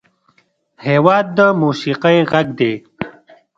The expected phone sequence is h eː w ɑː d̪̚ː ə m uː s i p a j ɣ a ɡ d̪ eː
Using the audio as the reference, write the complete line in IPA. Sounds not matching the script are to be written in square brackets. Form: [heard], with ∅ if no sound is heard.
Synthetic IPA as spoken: h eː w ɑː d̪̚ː ə m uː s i [q] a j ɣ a ɡ d̪ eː